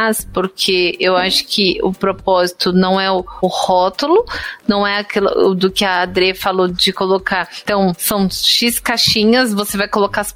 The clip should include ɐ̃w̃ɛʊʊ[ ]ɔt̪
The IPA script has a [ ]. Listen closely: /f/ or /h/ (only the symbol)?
h